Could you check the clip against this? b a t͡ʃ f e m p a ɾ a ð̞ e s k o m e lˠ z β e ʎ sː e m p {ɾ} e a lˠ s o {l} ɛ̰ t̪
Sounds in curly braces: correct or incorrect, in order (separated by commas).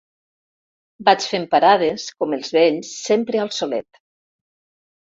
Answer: correct, correct